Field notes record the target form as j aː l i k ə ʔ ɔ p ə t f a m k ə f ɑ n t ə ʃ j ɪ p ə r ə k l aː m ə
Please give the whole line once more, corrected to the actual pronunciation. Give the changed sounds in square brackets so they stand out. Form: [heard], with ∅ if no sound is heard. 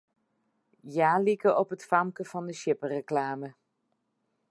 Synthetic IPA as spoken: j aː l i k ə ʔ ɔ p ə t f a m k ə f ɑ n [d] ə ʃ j ɪ p ə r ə k l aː m ə